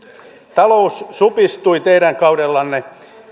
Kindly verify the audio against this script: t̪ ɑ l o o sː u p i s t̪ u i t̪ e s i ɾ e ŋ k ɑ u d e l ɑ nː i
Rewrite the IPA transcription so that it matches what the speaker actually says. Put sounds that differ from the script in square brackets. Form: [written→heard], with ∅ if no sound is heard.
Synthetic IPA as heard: t̪ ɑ l o [o→u] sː u p i s t̪ u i t̪ e [s→∅] i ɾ [e→æ] ŋ k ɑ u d e [l→lː] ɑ nː [i→e]